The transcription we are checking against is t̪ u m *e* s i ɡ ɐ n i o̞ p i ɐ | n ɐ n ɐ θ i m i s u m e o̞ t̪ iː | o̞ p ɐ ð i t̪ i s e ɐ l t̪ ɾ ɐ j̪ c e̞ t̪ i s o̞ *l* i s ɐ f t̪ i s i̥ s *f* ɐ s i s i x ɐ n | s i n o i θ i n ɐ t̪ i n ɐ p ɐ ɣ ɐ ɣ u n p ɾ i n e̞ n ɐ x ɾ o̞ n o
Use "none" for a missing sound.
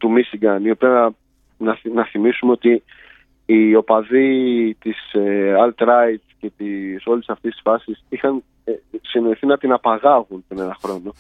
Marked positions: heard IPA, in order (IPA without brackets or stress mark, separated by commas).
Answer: i, l, f